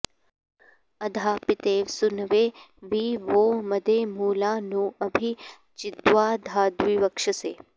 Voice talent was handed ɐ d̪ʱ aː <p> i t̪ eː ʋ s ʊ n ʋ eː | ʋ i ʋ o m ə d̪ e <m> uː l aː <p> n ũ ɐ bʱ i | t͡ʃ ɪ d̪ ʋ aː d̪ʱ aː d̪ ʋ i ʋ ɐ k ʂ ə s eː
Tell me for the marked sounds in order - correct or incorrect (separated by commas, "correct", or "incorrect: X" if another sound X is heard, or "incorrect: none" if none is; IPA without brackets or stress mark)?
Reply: correct, correct, incorrect: none